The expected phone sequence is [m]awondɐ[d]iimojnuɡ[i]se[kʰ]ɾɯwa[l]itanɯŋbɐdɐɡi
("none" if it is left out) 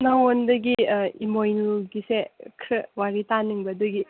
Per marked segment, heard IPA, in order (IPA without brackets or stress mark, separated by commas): n, ɡ, i, kʰ, ɾ